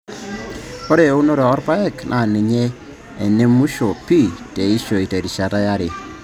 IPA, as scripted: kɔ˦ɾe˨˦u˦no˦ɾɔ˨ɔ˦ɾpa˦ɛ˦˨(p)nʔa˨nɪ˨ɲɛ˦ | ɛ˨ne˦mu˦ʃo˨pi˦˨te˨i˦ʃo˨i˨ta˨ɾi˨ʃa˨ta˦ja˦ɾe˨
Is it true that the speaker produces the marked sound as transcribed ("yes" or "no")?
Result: no